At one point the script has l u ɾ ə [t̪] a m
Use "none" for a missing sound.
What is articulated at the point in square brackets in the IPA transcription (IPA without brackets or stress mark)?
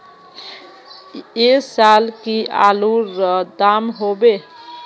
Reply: d̪